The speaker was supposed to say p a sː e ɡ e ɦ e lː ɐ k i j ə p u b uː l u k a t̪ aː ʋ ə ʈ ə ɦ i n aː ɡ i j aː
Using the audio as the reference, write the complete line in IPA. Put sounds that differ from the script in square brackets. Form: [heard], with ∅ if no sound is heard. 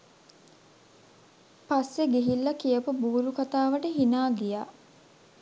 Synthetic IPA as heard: p a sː e ɡ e ɦ [i] lː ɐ k i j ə p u b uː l u k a t̪ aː ʋ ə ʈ ə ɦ i n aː ɡ i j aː